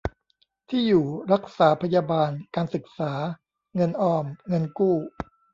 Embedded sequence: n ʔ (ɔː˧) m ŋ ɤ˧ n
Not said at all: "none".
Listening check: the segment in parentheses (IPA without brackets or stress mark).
ɔː˧